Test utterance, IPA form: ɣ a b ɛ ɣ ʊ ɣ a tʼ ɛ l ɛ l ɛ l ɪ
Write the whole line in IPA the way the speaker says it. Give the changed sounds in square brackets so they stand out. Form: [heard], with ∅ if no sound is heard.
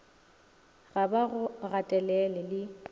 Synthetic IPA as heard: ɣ a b [a] ɣ ʊ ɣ a tʼ ɛ l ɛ l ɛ l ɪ